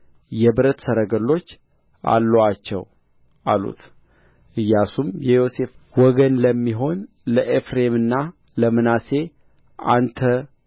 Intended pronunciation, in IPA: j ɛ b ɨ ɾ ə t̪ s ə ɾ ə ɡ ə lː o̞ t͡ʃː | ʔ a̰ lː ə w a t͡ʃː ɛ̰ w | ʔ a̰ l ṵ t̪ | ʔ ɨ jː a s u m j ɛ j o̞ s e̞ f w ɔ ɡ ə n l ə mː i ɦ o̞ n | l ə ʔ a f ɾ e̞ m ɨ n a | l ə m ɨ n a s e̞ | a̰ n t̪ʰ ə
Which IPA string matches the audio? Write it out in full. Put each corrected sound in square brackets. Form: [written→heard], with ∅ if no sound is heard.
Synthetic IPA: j ɛ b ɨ ɾ ə t̪ s ə ɾ ə ɡ ə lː o̞ t͡ʃː | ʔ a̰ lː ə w a t͡ʃː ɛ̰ w | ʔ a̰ l ṵ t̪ | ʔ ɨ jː a s u m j ɛ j o̞ s e̞ f w ɔ ɡ ə n l ə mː i ɦ o̞ n | l ə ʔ [a→e] f ɾ e̞ m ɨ [n→nː] a | l ə m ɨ n a s e̞ | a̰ n t̪ʰ ə